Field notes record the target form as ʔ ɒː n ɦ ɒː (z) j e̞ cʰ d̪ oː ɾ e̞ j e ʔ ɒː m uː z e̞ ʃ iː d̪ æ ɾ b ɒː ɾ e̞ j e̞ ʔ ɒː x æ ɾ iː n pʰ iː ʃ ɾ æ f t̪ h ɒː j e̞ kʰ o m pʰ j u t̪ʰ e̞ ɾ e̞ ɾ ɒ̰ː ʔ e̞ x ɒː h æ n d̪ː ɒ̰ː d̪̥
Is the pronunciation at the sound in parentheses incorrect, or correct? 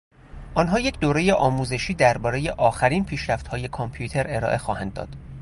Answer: incorrect